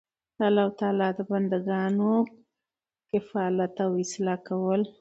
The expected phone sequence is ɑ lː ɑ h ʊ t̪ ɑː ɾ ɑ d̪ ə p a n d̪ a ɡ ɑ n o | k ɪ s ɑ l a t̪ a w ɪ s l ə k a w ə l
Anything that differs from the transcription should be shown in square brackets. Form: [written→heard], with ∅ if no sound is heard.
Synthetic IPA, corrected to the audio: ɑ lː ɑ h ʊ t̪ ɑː [ɾ→l] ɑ d̪ ə [p→b] a n d̪ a ɡ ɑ n o | k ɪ [s→f] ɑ l a t̪ a w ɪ s l [ə→ɑ] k a w ə l